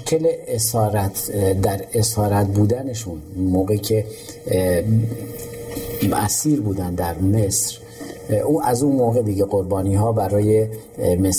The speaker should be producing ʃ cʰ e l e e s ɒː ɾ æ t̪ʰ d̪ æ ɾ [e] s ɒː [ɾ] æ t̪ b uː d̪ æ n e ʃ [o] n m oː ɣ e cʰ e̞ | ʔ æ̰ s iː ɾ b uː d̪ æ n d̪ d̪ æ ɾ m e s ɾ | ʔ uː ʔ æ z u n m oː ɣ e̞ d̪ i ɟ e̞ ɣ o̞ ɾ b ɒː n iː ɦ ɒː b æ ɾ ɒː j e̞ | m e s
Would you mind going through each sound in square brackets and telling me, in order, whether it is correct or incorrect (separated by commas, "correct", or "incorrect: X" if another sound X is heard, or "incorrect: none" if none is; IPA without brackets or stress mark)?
correct, correct, incorrect: u